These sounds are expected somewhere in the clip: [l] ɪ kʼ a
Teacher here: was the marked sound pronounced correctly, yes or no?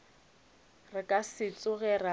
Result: no